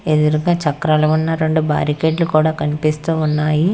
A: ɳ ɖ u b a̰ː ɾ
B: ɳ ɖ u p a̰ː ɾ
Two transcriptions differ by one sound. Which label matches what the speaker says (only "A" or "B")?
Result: A